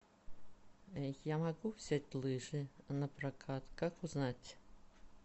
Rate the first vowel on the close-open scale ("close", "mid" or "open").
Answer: open